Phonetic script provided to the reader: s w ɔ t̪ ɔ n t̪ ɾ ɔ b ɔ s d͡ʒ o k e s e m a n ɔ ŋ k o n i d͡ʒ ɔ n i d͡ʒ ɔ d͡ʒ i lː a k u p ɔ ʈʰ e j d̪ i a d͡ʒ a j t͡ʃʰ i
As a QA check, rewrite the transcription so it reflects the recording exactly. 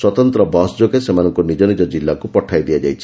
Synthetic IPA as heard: s w ɔ t̪ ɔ n t̪ ɾ ɔ b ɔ s d͡ʒ o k e s e m a n ɔ ŋ k o n i d͡ʒ ɔ n i d͡ʒ ɔ d͡ʒ i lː a k u p ɔ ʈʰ a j d̪ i a d͡ʒ a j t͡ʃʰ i